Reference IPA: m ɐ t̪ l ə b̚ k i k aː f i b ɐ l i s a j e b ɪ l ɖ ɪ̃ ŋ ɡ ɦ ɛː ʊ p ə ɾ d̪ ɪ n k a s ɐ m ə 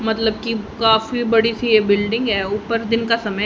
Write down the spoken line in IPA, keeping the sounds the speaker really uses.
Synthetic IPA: m ɐ t̪ l ə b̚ k i k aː f i b ɐ ɽ i s i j e b ɪ l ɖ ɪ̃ ŋ ɡ ɦ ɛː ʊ p ə ɾ d̪ ɪ n k a s ɐ m ə